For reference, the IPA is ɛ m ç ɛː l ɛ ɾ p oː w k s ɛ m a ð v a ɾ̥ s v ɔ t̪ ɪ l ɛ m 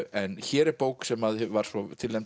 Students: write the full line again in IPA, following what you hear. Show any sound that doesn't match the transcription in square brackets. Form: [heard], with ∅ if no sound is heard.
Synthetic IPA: ɛ [n] ç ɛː [ɾ] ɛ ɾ p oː w k s ɛ m a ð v a ɾ̥ s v ɔ [t̪ʰ] ɪ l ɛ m